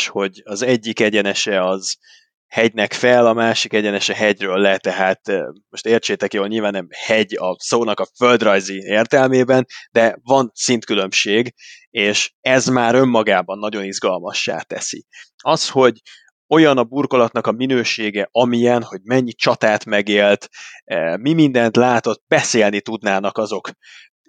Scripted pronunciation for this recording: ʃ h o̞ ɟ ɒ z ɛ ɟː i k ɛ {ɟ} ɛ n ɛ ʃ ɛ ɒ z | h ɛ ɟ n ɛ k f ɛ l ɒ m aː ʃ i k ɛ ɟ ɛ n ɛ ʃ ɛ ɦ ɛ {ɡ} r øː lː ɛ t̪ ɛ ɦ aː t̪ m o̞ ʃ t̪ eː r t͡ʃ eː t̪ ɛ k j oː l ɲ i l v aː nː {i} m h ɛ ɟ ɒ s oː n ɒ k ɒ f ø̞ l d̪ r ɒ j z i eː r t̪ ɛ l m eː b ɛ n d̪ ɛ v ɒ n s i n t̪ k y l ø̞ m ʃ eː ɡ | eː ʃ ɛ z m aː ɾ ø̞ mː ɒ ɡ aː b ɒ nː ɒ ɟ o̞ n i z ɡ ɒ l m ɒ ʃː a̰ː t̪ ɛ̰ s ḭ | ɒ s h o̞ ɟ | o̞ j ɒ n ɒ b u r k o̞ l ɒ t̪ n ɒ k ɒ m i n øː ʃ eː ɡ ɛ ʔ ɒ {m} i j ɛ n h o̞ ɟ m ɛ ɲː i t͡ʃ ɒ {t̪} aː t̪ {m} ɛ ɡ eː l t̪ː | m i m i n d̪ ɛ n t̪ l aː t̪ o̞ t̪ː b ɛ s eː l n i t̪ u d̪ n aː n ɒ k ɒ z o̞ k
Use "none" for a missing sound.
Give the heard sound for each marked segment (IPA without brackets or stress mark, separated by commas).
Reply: ɟ, ɟ, ɛ, m, t̪, m